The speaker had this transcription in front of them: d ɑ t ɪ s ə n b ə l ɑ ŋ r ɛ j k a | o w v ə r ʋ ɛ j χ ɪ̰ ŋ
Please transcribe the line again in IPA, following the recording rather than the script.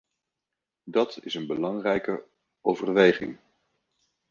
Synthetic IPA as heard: d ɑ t ɪ s ə n b ə l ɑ ŋ r ɛ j k ə | o w v ə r ʋ e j χ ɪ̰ ŋ